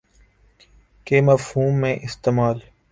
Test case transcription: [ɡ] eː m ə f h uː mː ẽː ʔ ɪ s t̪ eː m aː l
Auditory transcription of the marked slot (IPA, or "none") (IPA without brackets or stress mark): k